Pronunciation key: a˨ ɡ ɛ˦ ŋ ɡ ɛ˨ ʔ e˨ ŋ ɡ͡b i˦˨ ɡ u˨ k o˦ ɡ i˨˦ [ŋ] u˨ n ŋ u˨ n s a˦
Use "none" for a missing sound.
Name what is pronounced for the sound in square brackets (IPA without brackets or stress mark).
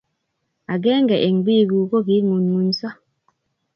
ŋ